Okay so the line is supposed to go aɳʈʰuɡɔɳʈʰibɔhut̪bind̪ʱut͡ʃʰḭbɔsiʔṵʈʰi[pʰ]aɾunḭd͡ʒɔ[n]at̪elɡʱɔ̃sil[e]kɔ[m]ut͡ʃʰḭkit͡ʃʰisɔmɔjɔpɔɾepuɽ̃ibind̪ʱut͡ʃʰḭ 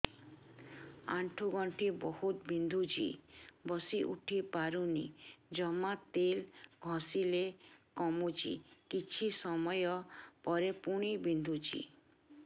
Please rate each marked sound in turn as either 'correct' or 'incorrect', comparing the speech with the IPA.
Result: incorrect: p, incorrect: m, correct, correct

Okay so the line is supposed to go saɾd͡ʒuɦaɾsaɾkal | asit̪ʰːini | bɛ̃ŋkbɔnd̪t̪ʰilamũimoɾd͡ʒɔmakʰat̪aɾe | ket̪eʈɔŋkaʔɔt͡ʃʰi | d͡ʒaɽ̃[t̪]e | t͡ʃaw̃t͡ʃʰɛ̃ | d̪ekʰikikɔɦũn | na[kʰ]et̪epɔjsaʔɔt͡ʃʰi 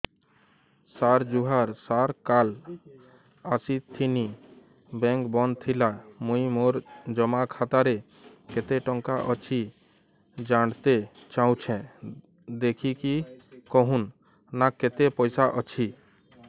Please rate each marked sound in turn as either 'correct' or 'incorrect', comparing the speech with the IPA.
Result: correct, incorrect: k

